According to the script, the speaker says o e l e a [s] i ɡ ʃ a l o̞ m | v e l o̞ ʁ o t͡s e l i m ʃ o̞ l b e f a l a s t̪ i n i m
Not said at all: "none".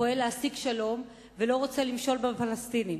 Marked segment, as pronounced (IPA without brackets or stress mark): s